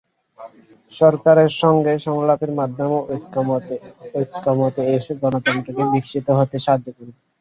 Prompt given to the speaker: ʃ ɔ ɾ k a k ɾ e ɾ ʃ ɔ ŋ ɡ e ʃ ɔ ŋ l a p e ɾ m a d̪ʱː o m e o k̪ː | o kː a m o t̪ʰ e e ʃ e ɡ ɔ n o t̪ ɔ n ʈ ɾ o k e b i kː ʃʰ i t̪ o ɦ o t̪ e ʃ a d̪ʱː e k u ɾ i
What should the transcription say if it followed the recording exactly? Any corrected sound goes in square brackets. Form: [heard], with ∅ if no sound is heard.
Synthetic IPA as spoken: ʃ ɔ ɾ k a [∅] ɾ e ɾ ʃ ɔ ŋ ɡ e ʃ ɔ ŋ l a p e ɾ m a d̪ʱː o m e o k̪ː | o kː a m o [t̪] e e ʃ e ɡ ɔ n o t̪ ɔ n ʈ ɾ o k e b i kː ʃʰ i t̪ o ɦ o t̪ e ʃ a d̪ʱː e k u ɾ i